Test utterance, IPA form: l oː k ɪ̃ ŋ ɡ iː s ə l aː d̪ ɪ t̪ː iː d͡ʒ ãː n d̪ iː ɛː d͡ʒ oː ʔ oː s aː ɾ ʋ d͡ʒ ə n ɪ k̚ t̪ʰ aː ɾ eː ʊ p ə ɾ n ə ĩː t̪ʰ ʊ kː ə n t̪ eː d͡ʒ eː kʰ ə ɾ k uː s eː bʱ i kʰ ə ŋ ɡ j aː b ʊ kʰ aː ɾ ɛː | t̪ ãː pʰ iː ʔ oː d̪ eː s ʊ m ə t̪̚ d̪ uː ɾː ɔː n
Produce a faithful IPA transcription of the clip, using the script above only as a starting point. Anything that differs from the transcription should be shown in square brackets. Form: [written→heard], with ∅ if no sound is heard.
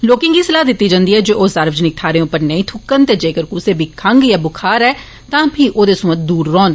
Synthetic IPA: l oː k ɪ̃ ŋ ɡ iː s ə l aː d̪ ɪ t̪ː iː d͡ʒ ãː n d̪ iː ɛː d͡ʒ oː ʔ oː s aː ɾ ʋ d͡ʒ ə n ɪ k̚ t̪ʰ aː ɾ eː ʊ p ə ɾ n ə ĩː t̪ʰ ʊ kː ə n t̪ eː d͡ʒ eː [kʰ→k] ə ɾ k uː s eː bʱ i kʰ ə ŋ ɡ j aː b ʊ kʰ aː ɾ ɛː | t̪ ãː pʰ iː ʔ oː d̪ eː s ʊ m ə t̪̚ d̪ uː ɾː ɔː n